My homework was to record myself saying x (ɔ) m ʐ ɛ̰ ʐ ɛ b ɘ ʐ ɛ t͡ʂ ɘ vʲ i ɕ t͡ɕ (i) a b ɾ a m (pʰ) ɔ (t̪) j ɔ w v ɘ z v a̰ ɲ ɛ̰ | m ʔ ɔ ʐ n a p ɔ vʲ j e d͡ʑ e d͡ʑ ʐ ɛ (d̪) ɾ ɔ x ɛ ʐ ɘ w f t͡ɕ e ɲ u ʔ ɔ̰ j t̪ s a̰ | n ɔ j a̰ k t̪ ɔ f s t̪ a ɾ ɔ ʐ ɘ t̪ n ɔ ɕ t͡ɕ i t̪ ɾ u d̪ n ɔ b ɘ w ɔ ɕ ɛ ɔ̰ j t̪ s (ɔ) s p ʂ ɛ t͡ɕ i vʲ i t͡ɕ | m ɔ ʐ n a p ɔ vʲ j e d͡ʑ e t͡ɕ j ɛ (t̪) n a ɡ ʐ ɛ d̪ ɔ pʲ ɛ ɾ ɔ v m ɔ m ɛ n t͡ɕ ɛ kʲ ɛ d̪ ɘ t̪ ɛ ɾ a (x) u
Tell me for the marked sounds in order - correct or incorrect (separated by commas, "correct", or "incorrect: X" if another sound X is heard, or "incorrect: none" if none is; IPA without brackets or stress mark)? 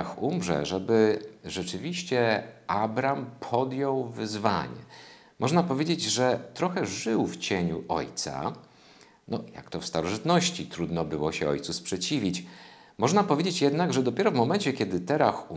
incorrect: u, incorrect: ɛ, correct, incorrect: d̪, incorrect: t̪, incorrect: u, incorrect: d̪, correct